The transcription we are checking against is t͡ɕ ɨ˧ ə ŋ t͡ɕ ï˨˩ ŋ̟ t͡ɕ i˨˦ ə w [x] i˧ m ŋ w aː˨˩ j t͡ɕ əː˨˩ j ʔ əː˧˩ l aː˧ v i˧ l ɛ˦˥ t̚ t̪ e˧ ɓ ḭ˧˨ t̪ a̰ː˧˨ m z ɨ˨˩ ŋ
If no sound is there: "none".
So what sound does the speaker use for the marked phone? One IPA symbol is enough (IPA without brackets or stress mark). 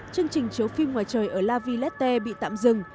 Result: f